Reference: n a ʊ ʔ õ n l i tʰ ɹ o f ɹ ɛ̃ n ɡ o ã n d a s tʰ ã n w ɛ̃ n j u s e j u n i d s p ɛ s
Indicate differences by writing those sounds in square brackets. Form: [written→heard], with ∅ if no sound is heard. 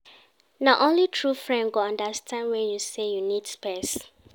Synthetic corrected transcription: n a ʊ ʔ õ n l i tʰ ɹ [o→u] f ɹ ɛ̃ n ɡ o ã n d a s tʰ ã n w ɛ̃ n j u s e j u n i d s p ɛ s